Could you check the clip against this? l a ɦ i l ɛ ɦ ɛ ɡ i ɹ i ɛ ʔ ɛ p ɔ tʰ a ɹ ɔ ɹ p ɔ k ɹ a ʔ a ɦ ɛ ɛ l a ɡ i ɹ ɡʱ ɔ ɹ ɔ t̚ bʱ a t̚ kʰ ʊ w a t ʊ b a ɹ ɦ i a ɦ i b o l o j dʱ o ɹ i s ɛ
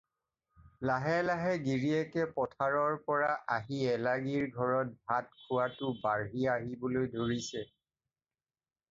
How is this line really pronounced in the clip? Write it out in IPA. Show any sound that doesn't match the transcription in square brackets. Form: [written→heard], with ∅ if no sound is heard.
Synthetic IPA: l a ɦ [i→ɛ] l [ɛ→a] ɦ ɛ ɡ i ɹ i ɛ [ʔ→k] ɛ p ɔ tʰ a ɹ ɔ ɹ p ɔ [k→∅] ɹ a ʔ a ɦ [ɛ→i] ɛ l a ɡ i ɹ ɡʱ ɔ ɹ ɔ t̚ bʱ a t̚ kʰ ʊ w a t ʊ b a ɹ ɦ i a ɦ i b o l o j dʱ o ɹ i s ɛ